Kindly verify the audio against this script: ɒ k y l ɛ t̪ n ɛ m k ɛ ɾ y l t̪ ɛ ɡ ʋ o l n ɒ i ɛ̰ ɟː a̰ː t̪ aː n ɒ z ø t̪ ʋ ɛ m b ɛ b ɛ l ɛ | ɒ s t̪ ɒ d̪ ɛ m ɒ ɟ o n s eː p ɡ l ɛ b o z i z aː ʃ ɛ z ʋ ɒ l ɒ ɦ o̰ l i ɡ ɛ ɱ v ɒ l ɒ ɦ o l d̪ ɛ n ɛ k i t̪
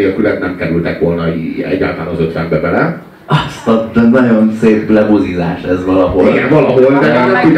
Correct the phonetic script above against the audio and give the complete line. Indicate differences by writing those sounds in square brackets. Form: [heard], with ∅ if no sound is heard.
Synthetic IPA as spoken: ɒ k y l ɛ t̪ n ɛ m k ɛ ɾ y l t̪ ɛ [k] ʋ o l n ɒ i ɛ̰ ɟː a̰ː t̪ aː n ɒ z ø t̪ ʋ ɛ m b ɛ b ɛ l ɛ | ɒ s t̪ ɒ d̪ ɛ [n] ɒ ɟ o n s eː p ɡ l ɛ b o z i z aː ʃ ɛ z ʋ ɒ l ɒ ɦ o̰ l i ɡ ɛ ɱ v ɒ l ɒ ɦ o l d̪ ɛ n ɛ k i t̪